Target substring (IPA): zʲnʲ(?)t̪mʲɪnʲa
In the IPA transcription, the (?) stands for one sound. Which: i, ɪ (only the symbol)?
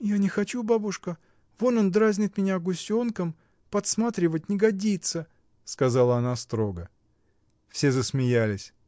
ɪ